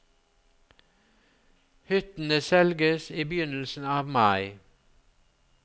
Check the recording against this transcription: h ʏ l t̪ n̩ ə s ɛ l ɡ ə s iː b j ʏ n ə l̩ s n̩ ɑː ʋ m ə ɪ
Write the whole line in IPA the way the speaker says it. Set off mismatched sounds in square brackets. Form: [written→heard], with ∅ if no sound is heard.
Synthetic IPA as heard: h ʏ [l→∅] t̪ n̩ ə s ɛ l ɡ ə s iː b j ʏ n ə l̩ s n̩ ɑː ʋ m [ə→ɑ] ɪ

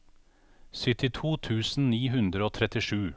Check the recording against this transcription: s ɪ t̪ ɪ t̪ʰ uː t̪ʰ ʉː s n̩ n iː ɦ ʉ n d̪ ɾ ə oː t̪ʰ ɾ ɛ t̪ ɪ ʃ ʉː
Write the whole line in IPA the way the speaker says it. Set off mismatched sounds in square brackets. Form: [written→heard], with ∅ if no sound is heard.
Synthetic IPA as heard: s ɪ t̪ ɪ t̪ʰ uː t̪ʰ ʉː s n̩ n iː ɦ ʉ n d̪ ɾ ə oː t̪ʰ ɾ ɛ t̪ ɪ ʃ ʉː

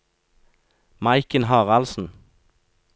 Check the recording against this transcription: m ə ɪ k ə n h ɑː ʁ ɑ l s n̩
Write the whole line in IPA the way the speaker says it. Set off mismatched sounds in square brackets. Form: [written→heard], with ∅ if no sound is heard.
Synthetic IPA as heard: m [ə→ɑ] ɪ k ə n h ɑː ʁ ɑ l s n̩

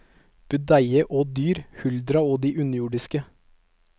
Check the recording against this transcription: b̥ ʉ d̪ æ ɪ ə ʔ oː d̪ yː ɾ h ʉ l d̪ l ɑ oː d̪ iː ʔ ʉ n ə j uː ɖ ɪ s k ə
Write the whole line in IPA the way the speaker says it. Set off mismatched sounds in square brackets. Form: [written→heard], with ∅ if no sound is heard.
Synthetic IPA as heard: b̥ ʉ d̪ æ ɪ ə ʔ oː d̪ yː ɾ h ʉ l d̪ [l→ɾ] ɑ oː d̪ iː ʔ ʉ n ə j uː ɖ ɪ s k ə

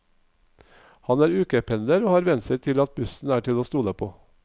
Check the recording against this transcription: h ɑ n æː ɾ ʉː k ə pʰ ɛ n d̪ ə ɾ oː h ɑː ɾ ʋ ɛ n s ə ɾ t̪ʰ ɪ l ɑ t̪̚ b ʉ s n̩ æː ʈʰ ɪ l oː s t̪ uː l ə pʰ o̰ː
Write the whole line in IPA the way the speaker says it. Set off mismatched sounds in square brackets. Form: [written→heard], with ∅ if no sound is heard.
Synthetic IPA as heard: h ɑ n æː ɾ ʉː k ə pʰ ɛ n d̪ ə ɾ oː h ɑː ɾ ʋ ɛ n s ə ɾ t̪ʰ ɪ l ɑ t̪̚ b ʉ s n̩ æː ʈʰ ɪ l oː s t̪ uː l ə pʰ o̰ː

